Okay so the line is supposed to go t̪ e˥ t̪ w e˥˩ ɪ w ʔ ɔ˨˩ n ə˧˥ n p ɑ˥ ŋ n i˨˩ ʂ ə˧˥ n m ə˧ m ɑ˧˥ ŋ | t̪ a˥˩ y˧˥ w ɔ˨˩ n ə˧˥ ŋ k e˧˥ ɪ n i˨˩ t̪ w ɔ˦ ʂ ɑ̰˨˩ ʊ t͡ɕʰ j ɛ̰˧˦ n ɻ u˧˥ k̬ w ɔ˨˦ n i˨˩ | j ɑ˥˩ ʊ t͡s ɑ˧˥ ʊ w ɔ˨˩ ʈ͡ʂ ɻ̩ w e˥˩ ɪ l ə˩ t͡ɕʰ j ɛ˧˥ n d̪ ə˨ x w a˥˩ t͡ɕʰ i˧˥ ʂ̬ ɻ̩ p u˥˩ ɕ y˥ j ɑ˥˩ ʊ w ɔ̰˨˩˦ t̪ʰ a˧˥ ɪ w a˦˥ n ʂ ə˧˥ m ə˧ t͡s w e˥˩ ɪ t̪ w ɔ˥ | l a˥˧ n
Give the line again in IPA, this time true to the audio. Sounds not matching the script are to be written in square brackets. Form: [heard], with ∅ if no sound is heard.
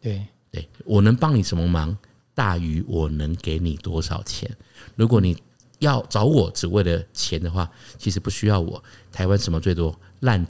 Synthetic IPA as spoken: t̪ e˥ t̪ w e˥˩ ɪ w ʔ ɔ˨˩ n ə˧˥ [ŋ] p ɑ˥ ŋ n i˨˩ ʂ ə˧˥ n m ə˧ m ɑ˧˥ ŋ | t̪ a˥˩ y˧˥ w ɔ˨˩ n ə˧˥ ŋ k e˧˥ ɪ n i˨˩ t̪ w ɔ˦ ʂ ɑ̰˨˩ ʊ t͡ɕʰ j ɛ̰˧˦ n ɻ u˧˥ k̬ w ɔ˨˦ n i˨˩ | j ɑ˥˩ ʊ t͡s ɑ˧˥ ʊ w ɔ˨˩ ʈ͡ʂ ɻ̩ w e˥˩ ɪ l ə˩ t͡ɕʰ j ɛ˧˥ n d̪ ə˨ x w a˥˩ t͡ɕʰ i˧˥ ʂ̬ ɻ̩ p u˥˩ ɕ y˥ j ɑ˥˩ ʊ w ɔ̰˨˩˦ t̪ʰ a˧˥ ɪ w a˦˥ n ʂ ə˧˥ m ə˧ t͡s w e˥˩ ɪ t̪ w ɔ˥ | l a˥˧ n